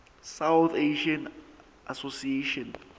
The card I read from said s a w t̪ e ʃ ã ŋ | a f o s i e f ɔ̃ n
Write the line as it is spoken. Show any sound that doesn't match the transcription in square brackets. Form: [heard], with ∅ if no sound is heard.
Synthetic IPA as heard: s a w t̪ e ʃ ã [n] | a [s] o s i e [ʃ] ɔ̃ n